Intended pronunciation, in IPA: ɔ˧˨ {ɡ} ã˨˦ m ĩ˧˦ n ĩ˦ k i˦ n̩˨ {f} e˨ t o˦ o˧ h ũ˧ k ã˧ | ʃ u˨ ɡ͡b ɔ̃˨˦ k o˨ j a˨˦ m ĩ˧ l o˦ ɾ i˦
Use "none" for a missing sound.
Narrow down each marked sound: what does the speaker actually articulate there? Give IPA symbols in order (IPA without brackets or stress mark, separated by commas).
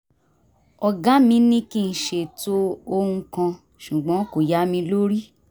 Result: ɡ, ʃ